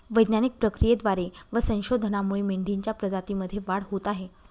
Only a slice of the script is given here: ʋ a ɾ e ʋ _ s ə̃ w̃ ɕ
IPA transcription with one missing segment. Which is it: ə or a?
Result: ə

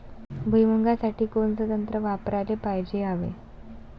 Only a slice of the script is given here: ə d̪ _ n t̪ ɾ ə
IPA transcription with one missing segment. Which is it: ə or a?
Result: ə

